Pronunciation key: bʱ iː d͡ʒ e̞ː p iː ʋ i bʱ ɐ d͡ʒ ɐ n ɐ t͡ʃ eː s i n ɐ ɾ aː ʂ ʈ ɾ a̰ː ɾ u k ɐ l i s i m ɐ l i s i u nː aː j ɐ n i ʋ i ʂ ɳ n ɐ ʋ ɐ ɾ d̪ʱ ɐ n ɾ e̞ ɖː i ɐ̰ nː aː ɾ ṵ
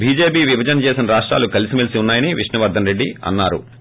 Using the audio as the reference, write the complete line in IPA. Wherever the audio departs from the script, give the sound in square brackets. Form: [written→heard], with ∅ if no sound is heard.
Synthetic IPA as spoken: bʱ iː d͡ʒ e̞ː p iː ʋ i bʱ ɐ d͡ʒ ɐ n ɐ t͡ʃ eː s i n ɐ ɾ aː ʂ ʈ ɾ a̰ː [ɾ→l] u k ɐ l i s i m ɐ l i s i u nː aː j ɐ n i ʋ i ʂ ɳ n ɐ ʋ ɐ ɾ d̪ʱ ɐ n ɾ e̞ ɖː i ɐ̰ nː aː ɾ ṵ